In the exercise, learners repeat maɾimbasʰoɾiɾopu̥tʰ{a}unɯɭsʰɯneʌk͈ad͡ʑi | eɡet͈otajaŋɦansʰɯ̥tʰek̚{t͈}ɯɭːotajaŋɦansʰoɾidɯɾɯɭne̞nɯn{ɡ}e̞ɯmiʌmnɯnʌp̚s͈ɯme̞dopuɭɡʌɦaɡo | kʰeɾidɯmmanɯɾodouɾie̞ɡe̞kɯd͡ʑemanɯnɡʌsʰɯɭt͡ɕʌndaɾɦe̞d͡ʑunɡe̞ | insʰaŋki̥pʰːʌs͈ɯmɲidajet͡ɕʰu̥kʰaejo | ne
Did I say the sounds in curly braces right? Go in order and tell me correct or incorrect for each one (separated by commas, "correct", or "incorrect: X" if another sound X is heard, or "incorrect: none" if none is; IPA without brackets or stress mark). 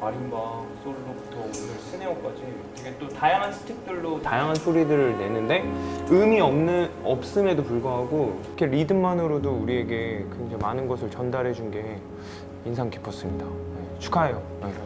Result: incorrect: ʌ, correct, incorrect: d